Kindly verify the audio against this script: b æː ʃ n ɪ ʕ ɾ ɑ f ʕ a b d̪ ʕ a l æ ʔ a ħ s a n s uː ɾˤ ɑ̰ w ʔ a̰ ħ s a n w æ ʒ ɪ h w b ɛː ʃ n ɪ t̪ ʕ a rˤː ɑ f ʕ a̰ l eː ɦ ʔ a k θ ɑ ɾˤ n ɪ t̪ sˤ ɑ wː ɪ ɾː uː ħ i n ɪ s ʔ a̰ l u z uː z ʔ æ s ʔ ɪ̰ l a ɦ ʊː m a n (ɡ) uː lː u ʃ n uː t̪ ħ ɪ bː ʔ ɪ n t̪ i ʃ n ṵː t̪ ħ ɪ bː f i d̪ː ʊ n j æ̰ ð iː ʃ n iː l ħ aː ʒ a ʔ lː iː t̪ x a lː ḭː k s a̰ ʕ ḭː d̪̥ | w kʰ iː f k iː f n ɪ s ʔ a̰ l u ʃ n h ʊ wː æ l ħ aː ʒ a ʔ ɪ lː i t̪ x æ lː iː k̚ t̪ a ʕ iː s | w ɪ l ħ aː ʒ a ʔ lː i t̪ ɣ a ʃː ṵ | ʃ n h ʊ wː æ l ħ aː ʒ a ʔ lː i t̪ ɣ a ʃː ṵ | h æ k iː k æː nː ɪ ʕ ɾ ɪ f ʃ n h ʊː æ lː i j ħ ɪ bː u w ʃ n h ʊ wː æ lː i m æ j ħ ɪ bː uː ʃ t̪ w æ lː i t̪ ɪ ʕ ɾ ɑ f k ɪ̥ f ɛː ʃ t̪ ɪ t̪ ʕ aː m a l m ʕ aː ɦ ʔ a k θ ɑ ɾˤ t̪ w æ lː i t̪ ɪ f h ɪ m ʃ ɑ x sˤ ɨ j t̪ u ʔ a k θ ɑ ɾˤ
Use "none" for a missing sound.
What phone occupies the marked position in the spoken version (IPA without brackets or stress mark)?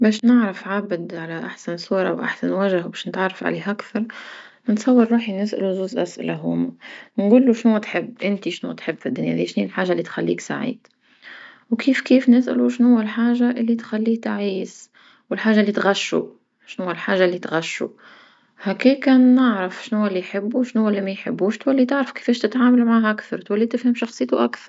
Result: ɡ